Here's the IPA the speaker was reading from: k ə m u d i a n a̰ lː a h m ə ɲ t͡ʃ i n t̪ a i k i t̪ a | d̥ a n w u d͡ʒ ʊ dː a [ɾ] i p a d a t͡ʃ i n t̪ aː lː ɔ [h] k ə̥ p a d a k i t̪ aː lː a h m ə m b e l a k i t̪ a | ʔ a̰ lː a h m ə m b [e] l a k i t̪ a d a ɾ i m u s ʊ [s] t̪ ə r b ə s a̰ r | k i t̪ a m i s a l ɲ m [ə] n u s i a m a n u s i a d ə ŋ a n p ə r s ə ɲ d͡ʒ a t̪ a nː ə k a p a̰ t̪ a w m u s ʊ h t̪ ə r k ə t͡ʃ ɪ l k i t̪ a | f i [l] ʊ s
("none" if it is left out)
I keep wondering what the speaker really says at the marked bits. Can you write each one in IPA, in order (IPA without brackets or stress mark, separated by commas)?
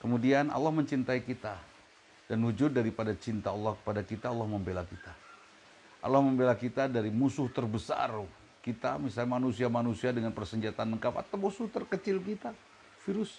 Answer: ɾ, h, e, h, a, ɾ